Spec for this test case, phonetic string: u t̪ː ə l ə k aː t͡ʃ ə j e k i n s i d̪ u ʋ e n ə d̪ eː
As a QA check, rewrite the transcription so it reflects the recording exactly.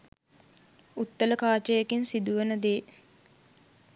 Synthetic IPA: u t̪ː ə l ə k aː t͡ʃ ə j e k i n s i d̪ u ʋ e n ə d̪ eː

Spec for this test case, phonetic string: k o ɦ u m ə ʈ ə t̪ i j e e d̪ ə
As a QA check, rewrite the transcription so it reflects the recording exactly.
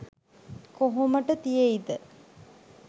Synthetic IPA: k o ɦ o m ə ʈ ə t̪ i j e i d̪ ə

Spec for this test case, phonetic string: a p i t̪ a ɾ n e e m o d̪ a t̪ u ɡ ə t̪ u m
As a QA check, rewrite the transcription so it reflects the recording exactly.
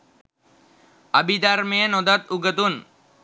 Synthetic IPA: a b i d̪ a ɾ m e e n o d̪ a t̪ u ɡ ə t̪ u n

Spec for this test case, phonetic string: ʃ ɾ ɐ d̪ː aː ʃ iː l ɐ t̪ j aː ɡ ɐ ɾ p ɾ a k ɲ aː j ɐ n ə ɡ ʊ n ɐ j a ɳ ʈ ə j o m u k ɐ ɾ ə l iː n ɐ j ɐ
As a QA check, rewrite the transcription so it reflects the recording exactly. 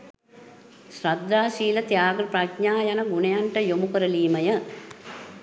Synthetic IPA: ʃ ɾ ɐ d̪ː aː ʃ iː l ɐ t̪ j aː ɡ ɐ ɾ p ɾ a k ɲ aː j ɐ n ɐ ɡ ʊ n ɐ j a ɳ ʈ ɐ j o m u k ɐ ɾ ɐ l iː m ɐ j ɐ

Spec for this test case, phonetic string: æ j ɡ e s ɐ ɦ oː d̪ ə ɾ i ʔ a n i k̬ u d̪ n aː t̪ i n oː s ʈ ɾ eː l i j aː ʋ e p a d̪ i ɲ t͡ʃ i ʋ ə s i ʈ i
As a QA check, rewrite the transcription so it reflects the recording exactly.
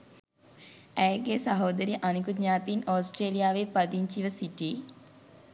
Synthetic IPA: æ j ɡ e s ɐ ɦ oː d̪ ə ɾ i ʔ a n i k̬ u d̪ ɲ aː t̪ i n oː s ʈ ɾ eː l i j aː ʋ e p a d̪ i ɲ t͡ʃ i ʋ ə s i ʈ i

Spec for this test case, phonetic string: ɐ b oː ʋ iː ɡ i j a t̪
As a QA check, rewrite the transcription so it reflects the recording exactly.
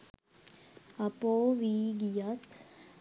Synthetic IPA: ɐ p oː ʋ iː ɡ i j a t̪

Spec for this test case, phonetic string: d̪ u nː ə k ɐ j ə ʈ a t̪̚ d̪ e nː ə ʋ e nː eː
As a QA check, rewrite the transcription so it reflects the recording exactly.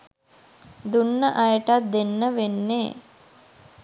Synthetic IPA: d̪ u nː ə ʔ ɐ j ə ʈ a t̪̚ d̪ e nː ə ʋ e nː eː

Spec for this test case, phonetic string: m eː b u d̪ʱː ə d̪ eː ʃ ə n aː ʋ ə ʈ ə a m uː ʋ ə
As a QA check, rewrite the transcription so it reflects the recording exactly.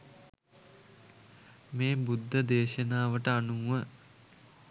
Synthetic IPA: m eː b u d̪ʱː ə d̪ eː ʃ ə n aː ʋ ə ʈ ə a n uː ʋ ə

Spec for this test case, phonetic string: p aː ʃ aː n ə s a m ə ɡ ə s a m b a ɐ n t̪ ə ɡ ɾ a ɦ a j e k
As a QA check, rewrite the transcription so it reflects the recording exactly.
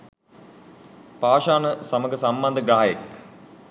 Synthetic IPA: p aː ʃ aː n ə s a m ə ɡ ə s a m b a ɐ n d̪ ə ɡ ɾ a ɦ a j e k

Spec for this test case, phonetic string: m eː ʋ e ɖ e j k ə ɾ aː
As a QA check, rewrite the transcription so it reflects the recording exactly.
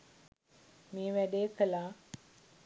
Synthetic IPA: m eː ʋ æ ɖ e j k ə l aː

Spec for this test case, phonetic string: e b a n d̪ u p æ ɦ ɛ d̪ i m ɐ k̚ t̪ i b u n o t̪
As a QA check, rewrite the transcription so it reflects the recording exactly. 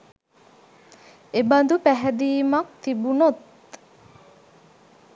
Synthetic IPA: e b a n d̪ u p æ ɦ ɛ d̪ iː m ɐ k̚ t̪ i b u n o t̪

